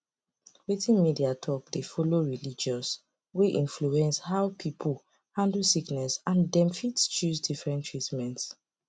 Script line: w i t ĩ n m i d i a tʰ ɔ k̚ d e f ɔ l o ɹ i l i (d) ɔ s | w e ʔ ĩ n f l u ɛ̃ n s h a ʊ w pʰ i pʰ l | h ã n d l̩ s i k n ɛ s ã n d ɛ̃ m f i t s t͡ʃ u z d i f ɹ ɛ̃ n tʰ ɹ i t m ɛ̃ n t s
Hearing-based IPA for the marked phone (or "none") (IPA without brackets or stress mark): d͡ʒ